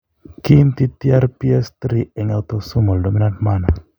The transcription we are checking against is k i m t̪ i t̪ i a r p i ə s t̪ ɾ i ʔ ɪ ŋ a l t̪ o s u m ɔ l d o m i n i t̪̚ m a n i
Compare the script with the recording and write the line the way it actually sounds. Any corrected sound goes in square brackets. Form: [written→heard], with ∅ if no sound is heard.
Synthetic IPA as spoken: k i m t̪ i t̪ i a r p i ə s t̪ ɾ i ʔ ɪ ŋ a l t̪ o s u m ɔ l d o m i n [i→a] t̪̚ m a n [i→a]